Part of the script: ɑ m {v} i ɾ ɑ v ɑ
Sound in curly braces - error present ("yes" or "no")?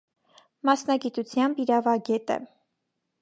yes